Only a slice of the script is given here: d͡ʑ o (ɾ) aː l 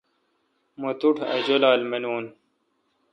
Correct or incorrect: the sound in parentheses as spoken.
incorrect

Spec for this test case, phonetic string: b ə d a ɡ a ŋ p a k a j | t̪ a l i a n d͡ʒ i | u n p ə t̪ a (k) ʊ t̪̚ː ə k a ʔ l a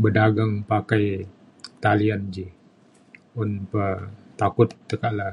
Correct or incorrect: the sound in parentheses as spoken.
correct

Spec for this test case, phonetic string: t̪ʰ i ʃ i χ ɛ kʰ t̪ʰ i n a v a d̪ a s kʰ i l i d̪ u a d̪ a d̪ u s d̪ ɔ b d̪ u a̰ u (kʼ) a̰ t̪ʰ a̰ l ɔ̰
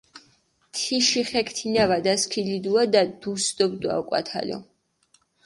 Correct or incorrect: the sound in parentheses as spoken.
correct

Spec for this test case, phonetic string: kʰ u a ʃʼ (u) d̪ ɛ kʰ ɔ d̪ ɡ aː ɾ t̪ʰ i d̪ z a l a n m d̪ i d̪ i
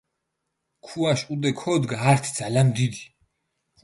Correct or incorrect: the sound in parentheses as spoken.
correct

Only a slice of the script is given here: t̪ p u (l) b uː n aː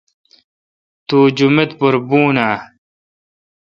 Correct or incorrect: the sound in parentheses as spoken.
incorrect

